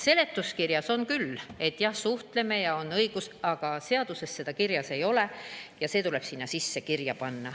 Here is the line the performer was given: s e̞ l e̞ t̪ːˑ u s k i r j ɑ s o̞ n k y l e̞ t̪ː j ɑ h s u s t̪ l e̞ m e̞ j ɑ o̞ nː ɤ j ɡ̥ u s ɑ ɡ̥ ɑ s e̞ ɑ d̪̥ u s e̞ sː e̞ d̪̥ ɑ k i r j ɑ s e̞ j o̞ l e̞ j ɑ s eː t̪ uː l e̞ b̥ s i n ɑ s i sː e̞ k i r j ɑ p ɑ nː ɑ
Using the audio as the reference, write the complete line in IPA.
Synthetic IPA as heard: s e̞ l e̞ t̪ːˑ u s k i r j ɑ s o̞ n k y l e̞ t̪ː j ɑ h s u h t̪ l e̞ m e̞ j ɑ o̞ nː ɤ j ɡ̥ u s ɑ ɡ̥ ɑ s e̞ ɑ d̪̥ u s e̞ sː e̞ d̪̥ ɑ k i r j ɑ s e̞ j o̞ l e̞ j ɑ s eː t̪ u l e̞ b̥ s i nː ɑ s i sː e̞ k i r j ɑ p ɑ nː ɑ

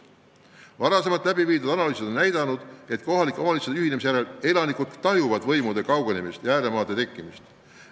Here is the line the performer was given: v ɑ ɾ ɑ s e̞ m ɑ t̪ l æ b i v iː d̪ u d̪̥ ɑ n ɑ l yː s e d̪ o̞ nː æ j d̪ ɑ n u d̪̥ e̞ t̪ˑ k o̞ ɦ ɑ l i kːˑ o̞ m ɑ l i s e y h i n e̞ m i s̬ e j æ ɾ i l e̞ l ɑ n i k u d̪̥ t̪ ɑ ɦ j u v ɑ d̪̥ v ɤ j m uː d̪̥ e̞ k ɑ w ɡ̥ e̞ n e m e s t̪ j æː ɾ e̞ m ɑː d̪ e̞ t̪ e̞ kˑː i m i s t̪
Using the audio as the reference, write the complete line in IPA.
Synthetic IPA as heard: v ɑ ɾ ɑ s e̞ m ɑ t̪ l æ b i v iː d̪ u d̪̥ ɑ n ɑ l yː s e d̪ o̞ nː æ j d̪ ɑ n u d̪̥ e̞ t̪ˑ k o̞ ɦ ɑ l i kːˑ o̞ m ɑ l i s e y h i n e̞ m i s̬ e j æ ɾ e l e̞ l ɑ n i k u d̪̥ t̪ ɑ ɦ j u v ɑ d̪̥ v ɤ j m u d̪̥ e̞ k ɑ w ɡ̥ e̞ n e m i s t̪ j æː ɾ e̞ m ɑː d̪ e̞ t̪ e̞ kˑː i m i s t̪

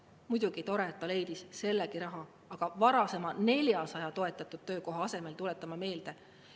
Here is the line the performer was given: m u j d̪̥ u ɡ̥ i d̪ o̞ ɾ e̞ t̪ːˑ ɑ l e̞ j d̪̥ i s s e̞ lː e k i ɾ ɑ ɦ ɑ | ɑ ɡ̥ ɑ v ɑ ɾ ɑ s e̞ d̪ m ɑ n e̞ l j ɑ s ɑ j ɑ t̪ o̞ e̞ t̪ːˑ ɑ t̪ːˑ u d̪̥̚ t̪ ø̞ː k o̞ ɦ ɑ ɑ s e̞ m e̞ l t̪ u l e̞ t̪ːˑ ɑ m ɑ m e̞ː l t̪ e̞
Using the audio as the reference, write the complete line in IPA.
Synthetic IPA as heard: m u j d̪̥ u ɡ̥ i t̪ o̞ ɾ e̞ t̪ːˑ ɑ l e̞ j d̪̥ i s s e̞ lː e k i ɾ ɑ ɦ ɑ | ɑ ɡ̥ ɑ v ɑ ɾ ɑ s e̞ m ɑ n e̞ l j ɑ s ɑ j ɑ t̪ o̞ e̞ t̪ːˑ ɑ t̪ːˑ u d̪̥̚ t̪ ø̞ː k o̞ ɦ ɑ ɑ s e̞ m e̞ l t̪ u l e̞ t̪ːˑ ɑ m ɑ m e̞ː l d̪ e̞

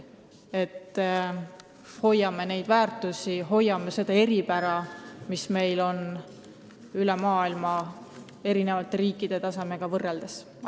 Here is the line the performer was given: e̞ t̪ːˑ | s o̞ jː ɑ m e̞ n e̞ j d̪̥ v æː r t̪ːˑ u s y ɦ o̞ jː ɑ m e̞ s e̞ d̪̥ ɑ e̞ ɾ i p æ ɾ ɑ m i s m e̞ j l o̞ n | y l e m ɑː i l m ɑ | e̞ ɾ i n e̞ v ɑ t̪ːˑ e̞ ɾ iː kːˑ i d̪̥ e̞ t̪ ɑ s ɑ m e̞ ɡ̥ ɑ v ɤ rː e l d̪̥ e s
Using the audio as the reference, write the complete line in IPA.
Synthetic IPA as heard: e̞ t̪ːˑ | h o̞ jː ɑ m e̞ n e̞ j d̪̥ v æː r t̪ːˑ u s i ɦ o̞ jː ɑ m e̞ s e̞ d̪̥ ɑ e̞ ɾ i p æ ɾ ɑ m i s m e̞ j l o̞ n | y l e m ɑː i l m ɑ | e̞ ɾ i n e̞ v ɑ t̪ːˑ e̞ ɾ iː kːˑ i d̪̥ e̞ t̪ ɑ s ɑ m e̞ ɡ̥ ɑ v ɤ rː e l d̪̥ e s

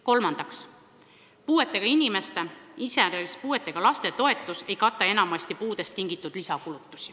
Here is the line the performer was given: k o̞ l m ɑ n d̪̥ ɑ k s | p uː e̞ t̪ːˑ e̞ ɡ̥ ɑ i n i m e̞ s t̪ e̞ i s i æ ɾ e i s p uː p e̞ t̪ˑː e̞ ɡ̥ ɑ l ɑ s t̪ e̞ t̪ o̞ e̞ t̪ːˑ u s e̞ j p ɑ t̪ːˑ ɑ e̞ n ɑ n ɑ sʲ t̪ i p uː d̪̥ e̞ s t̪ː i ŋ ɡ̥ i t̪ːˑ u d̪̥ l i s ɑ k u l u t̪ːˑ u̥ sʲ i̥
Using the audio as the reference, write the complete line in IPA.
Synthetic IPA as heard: k o̞ l m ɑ n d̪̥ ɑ k s | p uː e̞ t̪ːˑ e̞ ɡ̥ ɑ i n i m e̞ s t̪ e̞ i s e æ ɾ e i s p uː e̞ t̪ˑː e̞ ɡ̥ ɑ l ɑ s t̪ e̞ t̪ o̞ e̞ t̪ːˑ u s e̞ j k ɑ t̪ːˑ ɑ e̞ n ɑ m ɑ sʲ t̪ i p uː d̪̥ e̞ s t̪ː i ŋ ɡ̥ i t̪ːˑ u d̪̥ l i s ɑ k u l u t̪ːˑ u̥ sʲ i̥

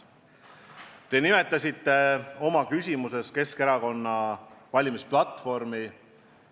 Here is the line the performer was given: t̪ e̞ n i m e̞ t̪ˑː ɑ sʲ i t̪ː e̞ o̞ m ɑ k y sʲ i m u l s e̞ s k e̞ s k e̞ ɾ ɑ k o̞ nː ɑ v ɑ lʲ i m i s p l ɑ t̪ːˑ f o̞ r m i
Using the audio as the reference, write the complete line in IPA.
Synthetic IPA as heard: t̪ e̞ n i m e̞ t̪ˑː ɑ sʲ i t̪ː e̞ o̞ m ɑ k y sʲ i m u s e̞ s k e̞ s k e̞ ɾ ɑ k o̞ nː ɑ v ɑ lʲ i m i s p l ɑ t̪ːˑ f o̞ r m i

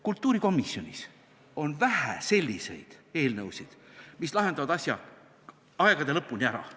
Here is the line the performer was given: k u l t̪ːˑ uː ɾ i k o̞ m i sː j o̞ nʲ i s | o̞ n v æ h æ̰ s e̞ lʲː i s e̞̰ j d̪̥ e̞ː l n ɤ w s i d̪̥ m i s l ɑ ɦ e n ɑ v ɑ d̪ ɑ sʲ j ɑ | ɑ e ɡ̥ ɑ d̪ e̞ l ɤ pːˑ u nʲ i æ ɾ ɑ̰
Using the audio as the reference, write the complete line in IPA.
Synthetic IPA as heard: k u l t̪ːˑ uː ɾ i k o̞ m i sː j o̞ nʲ i s | o̞ n v æ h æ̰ s e̞ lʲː i s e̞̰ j d̪̥ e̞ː l n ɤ w s i d̪̥ m i s l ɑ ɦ e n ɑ v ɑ d̪ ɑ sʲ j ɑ | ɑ e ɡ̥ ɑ d̪ e̞ l ɤ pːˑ u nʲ i æ ɾ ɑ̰

